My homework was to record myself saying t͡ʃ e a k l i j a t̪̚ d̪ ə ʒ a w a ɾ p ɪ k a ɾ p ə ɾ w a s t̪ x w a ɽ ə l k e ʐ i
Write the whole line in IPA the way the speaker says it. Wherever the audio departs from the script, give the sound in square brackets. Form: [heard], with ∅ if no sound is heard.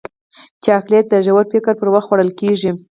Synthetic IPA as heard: t͡ʃ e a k l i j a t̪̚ d̪ ə ʒ a w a ɾ p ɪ k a ɾ p ə ɾ w a [x] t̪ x w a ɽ ə l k e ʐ i